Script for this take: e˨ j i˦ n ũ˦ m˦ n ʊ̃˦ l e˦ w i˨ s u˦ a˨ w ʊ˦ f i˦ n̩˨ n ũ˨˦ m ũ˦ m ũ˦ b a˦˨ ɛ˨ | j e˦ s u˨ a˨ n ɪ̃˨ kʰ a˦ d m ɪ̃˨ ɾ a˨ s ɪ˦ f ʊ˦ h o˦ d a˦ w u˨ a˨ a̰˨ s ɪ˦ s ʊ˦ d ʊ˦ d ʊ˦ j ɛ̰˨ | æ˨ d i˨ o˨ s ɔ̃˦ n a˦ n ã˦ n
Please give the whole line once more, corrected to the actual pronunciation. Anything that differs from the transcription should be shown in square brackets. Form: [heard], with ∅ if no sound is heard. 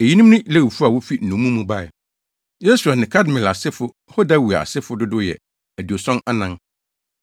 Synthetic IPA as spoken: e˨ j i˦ n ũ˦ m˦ n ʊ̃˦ l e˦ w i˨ [f] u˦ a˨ w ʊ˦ f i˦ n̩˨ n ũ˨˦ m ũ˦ m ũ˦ b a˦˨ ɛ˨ | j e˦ s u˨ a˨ n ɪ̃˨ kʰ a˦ d m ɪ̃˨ [l] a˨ s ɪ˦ f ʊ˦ h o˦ d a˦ w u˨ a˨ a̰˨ s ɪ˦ [f] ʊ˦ d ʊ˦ d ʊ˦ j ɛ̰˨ | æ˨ d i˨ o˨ s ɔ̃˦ n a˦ n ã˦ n